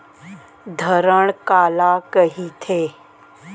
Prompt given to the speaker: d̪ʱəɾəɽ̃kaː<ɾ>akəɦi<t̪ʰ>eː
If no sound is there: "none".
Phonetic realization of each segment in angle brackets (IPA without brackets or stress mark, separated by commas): l, t̪ʰ